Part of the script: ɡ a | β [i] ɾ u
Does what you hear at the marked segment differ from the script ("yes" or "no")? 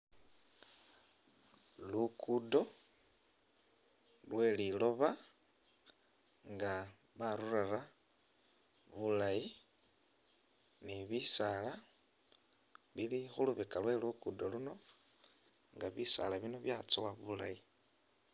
yes